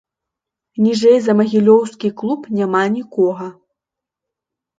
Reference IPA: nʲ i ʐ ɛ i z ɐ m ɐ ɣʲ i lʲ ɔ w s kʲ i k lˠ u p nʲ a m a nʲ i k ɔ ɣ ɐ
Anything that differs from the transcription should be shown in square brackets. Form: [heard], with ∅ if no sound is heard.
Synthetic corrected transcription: nʲ i ʐ ɛ [j] z ɐ m ɐ ɣʲ i lʲ ɔ w s kʲ i k lˠ u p nʲ a m a nʲ i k ɔ ɣ ɐ